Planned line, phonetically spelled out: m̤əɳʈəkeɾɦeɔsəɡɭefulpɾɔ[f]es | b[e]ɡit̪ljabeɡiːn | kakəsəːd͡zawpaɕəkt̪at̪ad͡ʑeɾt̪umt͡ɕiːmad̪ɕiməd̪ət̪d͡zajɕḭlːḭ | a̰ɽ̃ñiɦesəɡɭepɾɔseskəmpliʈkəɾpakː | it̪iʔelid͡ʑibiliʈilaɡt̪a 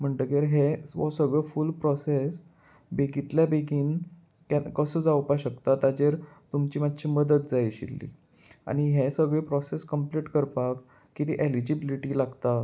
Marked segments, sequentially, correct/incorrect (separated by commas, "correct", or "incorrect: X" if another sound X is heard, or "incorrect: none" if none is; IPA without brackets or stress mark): incorrect: s, correct